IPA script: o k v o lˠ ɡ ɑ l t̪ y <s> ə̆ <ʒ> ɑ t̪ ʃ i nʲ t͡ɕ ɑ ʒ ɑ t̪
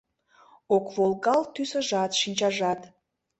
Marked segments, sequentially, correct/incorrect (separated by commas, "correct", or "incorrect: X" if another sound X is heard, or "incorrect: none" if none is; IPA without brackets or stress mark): correct, correct